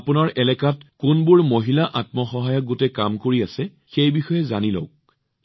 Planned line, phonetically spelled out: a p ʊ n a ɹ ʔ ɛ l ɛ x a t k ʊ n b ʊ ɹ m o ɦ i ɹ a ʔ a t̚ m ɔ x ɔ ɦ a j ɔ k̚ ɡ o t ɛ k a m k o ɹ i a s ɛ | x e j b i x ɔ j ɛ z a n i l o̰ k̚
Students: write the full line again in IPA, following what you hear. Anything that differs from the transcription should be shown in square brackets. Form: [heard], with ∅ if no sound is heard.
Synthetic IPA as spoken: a p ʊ n a ɹ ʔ ɛ l ɛ [k] a t k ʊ n b ʊ ɹ m o ɦ i [l] a ʔ a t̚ m ɔ x ɔ ɦ a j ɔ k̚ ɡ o t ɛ k a m k o ɹ i a s ɛ | x e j b i x ɔ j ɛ z a n i l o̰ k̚